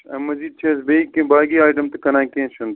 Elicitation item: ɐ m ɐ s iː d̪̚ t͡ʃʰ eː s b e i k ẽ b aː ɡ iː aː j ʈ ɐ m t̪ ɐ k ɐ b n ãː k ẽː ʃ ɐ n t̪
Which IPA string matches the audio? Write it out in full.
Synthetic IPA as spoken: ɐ m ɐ z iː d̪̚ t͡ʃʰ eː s b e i k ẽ b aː ɡ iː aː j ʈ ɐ m t̪ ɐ k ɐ n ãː k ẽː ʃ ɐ n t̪